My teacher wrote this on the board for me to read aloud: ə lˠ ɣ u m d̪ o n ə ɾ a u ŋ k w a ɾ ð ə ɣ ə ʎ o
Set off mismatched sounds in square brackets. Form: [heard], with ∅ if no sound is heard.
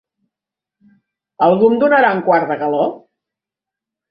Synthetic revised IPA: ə lˠ ɣ u m d̪ [u] n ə ɾ a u ŋ k w a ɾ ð ə ɣ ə [l] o